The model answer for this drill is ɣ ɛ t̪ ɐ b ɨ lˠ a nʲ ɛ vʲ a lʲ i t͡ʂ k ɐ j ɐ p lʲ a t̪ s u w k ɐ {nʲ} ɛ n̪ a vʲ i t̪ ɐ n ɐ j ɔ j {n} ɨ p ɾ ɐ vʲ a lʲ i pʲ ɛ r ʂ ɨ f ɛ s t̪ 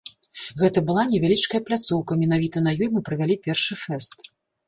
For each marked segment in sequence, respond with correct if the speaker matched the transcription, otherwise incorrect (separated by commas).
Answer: incorrect, incorrect